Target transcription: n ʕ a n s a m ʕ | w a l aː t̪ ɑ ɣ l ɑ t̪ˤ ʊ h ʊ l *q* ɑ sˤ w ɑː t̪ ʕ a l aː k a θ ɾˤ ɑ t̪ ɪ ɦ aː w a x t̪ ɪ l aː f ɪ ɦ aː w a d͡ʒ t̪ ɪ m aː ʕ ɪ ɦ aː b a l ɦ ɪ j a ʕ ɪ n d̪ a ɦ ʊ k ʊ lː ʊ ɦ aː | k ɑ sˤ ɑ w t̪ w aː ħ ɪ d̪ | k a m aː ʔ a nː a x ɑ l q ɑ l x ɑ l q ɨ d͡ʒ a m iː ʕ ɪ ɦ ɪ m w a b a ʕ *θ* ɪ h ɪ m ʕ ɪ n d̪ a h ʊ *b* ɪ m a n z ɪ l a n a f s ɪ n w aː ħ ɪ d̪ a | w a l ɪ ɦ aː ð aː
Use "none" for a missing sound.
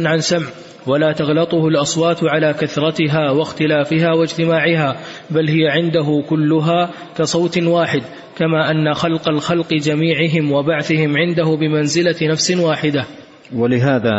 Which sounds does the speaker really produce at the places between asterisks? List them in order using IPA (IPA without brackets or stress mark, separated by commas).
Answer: ʔ, θ, b